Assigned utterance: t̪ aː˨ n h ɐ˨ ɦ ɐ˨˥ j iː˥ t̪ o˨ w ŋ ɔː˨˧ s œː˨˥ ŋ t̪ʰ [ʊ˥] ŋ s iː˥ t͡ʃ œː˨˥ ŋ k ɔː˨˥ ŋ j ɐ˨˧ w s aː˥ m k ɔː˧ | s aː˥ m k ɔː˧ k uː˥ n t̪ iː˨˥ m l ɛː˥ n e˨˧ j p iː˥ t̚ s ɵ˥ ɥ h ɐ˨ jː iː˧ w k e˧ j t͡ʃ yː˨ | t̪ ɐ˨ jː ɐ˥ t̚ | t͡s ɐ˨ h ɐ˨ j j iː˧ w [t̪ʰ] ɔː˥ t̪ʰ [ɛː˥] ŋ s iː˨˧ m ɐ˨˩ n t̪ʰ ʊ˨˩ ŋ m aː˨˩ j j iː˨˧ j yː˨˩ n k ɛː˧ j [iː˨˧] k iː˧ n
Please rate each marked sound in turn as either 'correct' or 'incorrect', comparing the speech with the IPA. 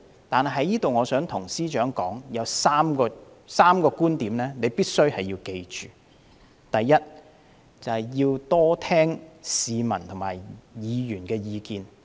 incorrect: ʊ˨˩, incorrect: t̪, correct, correct

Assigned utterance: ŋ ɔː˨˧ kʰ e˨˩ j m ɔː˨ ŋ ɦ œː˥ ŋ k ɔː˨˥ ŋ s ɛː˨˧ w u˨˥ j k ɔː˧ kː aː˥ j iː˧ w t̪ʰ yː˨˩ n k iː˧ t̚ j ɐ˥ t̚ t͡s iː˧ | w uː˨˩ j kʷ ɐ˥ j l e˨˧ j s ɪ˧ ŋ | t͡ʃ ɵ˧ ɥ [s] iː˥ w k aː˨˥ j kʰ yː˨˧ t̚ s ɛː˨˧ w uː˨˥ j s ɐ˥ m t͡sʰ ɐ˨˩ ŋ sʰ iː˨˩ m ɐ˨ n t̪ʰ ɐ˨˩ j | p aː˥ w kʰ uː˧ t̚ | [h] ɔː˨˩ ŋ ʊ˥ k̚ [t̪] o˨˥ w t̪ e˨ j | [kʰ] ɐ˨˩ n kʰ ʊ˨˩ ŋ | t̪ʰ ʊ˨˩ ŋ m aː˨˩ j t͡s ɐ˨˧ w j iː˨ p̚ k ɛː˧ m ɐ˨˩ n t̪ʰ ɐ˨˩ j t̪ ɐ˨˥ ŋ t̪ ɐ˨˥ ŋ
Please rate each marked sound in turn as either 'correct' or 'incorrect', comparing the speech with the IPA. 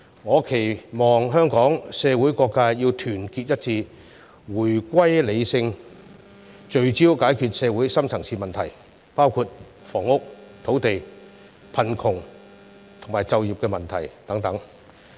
incorrect: t͡s, incorrect: f, incorrect: t̪ʰ, incorrect: pʰ

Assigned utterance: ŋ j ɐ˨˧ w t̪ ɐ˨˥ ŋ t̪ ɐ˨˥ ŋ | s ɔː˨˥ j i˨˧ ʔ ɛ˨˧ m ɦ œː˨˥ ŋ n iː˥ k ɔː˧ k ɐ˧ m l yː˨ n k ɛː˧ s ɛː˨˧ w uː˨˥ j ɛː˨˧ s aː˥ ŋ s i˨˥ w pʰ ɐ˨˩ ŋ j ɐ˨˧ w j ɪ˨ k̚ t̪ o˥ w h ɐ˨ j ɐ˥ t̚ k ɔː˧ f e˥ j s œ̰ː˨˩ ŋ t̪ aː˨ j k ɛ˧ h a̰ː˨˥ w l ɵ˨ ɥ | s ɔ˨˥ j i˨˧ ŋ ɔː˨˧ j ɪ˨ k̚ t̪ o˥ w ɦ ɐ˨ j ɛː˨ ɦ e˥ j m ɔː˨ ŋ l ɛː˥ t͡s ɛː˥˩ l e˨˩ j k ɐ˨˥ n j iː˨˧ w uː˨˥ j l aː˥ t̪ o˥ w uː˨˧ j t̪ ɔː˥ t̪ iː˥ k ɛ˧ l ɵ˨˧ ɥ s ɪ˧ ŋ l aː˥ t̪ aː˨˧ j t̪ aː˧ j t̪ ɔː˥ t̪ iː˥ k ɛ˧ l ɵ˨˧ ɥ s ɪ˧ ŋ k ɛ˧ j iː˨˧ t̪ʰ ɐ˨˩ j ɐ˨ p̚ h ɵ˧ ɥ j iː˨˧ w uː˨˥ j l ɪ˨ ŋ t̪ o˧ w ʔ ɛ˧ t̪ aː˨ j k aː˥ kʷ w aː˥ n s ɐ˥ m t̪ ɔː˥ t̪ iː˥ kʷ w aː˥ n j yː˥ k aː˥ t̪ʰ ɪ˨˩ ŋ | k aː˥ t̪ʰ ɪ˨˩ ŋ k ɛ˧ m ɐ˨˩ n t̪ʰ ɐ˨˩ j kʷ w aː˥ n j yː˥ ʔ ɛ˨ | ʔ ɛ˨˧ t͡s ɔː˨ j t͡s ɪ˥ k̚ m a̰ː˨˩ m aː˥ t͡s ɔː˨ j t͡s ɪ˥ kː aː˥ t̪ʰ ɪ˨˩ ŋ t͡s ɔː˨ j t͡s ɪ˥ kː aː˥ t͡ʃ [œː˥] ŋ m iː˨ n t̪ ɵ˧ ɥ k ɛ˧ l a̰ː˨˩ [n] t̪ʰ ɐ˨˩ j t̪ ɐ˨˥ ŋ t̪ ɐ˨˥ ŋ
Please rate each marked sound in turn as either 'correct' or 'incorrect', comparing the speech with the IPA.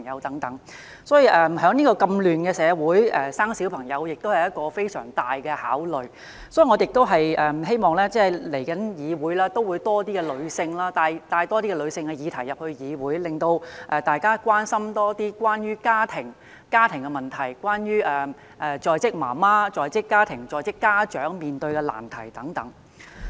incorrect: œː˨˥, correct

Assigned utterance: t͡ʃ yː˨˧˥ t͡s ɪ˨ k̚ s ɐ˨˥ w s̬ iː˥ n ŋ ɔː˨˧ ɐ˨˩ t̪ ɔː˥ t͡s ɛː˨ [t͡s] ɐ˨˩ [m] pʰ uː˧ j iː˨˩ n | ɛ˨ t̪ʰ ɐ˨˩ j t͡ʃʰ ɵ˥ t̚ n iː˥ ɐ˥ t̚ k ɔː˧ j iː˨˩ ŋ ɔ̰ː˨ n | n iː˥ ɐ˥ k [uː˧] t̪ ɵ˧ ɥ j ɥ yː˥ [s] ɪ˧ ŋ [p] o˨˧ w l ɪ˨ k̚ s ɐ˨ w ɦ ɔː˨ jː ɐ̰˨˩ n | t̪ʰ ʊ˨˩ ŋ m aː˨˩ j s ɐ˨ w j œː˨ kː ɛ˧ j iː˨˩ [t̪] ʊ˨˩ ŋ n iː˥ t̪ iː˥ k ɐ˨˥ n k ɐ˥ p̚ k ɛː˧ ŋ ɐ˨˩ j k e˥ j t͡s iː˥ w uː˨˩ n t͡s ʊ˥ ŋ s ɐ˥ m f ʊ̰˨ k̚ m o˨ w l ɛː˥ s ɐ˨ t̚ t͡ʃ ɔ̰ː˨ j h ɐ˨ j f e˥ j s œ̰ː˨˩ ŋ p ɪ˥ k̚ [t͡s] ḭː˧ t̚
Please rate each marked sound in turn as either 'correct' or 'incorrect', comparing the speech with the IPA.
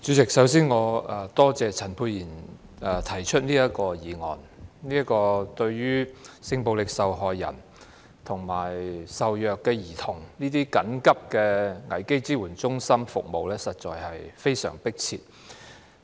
incorrect: t͡sʰ, incorrect: n, incorrect: ɔː˧, correct, correct, incorrect: t̪ʰ, incorrect: t͡sʰ

